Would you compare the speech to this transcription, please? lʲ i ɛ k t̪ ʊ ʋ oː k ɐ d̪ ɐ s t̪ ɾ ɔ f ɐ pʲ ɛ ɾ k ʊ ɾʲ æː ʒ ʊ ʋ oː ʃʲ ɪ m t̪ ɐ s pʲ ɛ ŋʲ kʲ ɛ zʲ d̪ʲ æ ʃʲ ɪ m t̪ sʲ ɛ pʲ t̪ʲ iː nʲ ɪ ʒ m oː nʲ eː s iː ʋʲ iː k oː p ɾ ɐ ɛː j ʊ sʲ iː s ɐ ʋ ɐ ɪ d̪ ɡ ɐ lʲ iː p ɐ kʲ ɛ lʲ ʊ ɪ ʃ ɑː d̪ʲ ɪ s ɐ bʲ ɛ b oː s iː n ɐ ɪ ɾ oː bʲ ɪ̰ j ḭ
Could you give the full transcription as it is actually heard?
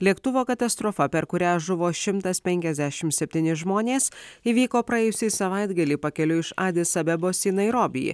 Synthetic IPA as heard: lʲ i ɛ k t̪ ʊ ʋ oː k ɐ t̪ ɐ s t̪ ɾ ɔ f ɐ pʲ ɛ ɾ k ʊ ɾʲ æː ʒ ʊ ʋ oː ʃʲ ɪ m t̪ ɐ s pʲ ɛ ŋʲ kʲ ɛ zʲ d̪ʲ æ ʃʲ ɪ m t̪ sʲ ɛ pʲ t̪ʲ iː nʲ ɪ ʒ m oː nʲ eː s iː ʋʲ iː k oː p ɾ ɐ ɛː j ʊ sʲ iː s ɐ ʋ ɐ ɪ d̪ ɡ ɐ lʲ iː p ɐ kʲ ɛ lʲ ʊ ɪ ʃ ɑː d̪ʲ ɪ s ɐ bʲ ɛ b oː s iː n ɐ ɪ ɾ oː bʲ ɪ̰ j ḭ

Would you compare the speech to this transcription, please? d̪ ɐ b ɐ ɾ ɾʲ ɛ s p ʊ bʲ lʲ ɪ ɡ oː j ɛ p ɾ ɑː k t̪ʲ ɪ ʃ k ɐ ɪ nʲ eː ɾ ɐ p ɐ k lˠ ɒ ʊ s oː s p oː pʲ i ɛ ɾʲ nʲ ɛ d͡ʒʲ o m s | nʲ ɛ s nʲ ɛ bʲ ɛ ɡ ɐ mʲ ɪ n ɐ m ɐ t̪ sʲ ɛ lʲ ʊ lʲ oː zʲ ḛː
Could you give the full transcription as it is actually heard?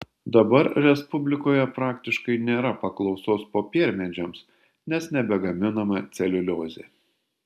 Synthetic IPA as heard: d̪ ɐ b ɐ ɾ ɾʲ ɛ s p ʊ bʲ lʲ ɪ k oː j ɛ p ɾ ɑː k t̪ʲ ɪ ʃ k ɐ ɪ nʲ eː ɾ ɐ p ɐ k lˠ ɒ ʊ s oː s p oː pʲ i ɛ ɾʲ mʲ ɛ d͡ʒʲ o m s | nʲ ɛ s nʲ ɛ bʲ ɛ ɡ ɐ mʲ ɪ n ɐ m ɐ t̪ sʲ ɛ lʲ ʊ lʲ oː zʲ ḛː

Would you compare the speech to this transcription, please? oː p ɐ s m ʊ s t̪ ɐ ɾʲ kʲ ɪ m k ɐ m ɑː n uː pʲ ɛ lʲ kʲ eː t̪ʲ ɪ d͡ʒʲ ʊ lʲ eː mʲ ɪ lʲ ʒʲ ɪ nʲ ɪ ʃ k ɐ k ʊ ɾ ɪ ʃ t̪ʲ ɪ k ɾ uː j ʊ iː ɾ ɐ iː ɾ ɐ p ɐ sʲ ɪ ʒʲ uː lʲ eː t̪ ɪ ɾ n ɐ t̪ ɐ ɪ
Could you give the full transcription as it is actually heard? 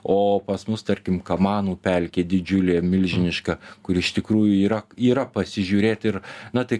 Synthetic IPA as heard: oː p ɐ s m ʊ s t̪ ɐ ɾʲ kʲ ɪ m k ɐ m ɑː n uː pʲ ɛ lʲ kʲ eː d̪ʲ ɪ d͡ʒʲ ʊ lʲ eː mʲ ɪ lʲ ʒʲ ɪ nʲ ɪ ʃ k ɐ k ʊ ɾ ɪ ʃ t̪ʲ ɪ k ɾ uː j ʊ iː ɾ ɐ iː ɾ ɐ p ɐ sʲ ɪ ʒʲ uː ɾʲ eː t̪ ɪ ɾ n ɐ t̪ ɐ ɪ

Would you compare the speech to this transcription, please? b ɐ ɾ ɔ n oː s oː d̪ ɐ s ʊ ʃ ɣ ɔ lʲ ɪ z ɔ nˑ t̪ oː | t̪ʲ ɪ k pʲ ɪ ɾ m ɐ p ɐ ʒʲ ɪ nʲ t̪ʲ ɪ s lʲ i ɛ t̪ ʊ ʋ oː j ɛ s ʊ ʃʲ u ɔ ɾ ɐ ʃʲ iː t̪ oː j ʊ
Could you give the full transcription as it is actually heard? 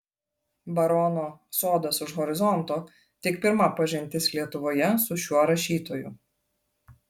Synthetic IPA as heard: b ɐ ɾ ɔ n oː s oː d̪ ɐ s ʊ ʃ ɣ ɔ ɾʲ ɪ z ɔ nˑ t̪ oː | t̪ʲ ɪ k pʲ ɪ ɾ m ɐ p ɐ ʒʲ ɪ nʲ t̪ʲ ɪ s lʲ i ɛ t̪ ʊ ʋ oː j ɛ s ʊ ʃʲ u ɔ ɾ ɐ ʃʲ iː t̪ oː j ʊ

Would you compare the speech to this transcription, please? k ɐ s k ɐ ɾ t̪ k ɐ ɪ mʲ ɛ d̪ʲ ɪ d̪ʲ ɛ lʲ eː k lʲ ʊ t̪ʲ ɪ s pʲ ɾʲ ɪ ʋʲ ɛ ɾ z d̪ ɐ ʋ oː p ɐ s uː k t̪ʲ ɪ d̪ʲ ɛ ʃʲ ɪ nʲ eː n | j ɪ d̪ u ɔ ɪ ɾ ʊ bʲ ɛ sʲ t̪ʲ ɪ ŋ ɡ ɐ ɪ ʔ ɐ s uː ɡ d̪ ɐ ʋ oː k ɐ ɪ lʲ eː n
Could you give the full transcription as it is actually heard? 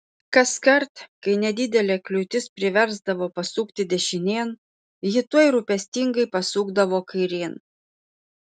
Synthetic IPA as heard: k ɐ s k ɐ ɾ t̪ k ɐ ɪ nʲ ɛ d̪ʲ ɪ d̪ʲ ɛ lʲ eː k lʲ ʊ t̪ʲ ɪ s pʲ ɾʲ ɪ ʋʲ ɛ ɾ z d̪ ɐ ʋ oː p ɐ s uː k t̪ʲ ɪ d̪ʲ ɛ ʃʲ ɪ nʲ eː n | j ɪ t̪ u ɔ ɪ ɾ ʊ pʲ ɛ sʲ t̪ʲ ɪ ŋ ɡ ɐ ɪ p ɐ s uː ɡ d̪ ɐ ʋ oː k ɐ ɪ ɾʲ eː n

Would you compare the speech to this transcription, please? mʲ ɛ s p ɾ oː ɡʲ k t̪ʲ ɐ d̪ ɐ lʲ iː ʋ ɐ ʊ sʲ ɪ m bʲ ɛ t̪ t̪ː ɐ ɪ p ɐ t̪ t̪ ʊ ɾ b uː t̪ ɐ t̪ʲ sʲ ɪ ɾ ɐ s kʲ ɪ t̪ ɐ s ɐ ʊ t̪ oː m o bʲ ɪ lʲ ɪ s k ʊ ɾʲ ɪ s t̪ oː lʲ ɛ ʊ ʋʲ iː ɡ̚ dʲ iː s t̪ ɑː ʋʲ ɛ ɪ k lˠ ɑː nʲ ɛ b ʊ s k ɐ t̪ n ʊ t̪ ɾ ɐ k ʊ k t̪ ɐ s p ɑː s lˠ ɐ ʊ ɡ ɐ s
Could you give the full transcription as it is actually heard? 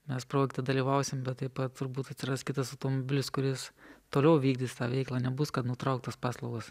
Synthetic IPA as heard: mʲ ɛ s p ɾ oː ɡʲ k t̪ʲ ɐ d̪ ɐ lʲ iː ʋ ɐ ʊ sʲ ɪ m bʲ ɛ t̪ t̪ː ɐ ɪ p ɐ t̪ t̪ ʊ ɾ b uː t̪ ɐ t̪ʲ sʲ ɪ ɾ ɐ s kʲ ɪ t̪ ɐ s ɐ ʊ t̪ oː m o bʲ ɪ lʲ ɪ s k ʊ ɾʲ ɪ s t̪ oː lʲ ɛ ʊ ʋʲ iː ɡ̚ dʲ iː s t̪ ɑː ʋʲ ɛ ɪ k lˠ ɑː nʲ ɛ b ʊ s k ɐ t̪ n ʊ t̪ ɾ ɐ ʊ k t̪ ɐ s p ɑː s lˠ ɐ ʊ ɡ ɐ s

